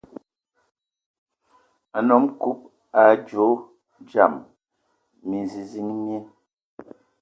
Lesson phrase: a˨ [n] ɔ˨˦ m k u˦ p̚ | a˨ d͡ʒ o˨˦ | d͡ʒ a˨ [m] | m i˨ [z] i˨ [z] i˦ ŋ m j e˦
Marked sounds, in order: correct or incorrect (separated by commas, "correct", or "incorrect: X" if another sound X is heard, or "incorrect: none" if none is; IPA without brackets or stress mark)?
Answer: correct, correct, correct, correct